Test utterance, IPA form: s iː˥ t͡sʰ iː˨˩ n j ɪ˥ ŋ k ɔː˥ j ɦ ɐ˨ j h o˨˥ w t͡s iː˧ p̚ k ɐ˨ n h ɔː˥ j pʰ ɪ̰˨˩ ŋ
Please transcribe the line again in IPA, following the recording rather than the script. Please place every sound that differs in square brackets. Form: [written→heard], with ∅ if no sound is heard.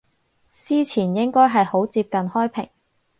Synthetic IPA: s iː˥ t͡sʰ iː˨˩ n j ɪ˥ ŋ k ɔː˥ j ɦ ɐ˨ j h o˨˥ w t͡s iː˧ p̚ k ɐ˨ n h ɔː˥ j pʰ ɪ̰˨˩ ŋ

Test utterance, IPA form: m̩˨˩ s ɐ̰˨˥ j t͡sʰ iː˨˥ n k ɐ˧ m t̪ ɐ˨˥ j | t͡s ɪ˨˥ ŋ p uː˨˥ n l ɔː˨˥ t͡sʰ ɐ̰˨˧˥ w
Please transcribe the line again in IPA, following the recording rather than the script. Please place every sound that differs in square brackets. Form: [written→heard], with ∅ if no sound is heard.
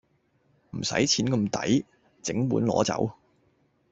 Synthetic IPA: m̩˨˩ s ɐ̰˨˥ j t͡sʰ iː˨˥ n k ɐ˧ m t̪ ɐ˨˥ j | t͡s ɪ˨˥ ŋ p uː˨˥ n l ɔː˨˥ [t͡sʰ→t͡s] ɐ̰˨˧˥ w

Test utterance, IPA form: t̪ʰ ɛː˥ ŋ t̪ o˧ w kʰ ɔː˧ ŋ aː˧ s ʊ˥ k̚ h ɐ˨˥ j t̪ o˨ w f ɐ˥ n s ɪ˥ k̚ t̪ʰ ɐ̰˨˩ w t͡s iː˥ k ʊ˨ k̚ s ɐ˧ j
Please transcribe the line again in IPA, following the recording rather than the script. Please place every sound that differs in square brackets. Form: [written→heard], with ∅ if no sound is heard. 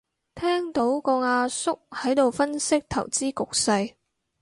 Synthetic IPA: t̪ʰ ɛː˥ ŋ t̪ [o˧→o˨˥] w [kʰ→k] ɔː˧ ŋ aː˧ s ʊ˥ k̚ h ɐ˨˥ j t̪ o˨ w f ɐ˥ n s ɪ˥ k̚ t̪ʰ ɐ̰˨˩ w t͡s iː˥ k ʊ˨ k̚ s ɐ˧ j

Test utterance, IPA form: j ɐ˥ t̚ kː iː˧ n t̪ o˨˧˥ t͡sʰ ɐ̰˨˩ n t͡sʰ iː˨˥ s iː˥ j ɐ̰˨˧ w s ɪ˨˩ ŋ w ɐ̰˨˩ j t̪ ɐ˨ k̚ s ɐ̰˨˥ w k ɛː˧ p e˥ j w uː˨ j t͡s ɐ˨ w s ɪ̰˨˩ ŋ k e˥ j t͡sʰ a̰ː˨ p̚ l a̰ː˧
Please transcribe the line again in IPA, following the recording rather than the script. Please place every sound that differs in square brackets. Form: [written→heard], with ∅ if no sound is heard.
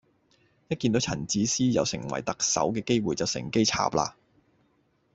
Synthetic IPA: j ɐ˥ t̚ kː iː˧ n t̪ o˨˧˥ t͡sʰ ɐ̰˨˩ n [t͡sʰ→t͡s] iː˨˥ s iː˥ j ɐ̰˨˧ w s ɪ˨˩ ŋ w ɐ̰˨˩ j t̪ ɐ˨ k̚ s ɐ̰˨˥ w k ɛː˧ [p→k] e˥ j w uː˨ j t͡s ɐ˨ w s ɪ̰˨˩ ŋ k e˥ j t͡sʰ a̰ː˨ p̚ l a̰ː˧

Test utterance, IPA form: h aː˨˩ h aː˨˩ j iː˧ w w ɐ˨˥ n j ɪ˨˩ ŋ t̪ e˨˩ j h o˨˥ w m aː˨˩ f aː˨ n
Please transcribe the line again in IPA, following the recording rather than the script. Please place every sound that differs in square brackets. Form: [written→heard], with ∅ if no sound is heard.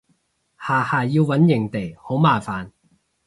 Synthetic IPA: h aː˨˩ h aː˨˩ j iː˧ w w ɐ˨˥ n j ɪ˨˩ ŋ t̪ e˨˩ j h o˨˥ w m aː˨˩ f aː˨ n

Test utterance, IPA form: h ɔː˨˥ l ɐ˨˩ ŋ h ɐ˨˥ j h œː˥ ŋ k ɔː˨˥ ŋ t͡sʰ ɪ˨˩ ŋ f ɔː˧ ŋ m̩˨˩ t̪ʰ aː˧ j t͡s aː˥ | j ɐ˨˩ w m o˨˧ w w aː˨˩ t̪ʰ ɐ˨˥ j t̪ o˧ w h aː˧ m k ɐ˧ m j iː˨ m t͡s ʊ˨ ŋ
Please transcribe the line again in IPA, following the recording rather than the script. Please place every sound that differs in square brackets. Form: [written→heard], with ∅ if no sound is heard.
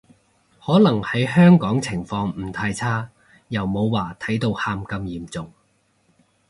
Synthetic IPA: h ɔː˨˥ l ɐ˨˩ ŋ h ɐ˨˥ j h œː˥ ŋ k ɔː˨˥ ŋ t͡sʰ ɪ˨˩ ŋ f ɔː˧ ŋ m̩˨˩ t̪ʰ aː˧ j [t͡s→t͡sʰ] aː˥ | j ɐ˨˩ w m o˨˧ w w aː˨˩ t̪ʰ ɐ˨˥ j t̪ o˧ w h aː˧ m k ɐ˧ m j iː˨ m t͡s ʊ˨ ŋ

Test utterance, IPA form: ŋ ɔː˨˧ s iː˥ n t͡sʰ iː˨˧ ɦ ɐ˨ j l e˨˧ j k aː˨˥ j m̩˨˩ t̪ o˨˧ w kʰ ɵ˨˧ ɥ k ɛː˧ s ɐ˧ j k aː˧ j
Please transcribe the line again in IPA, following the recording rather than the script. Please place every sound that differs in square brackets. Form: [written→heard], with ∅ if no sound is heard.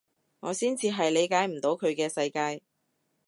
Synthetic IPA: ŋ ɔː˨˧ s iː˥ n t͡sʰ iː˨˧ ɦ ɐ˨ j l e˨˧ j k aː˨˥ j m̩˨˩ t̪ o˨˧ w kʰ ɵ˨˧ ɥ k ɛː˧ s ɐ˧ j k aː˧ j

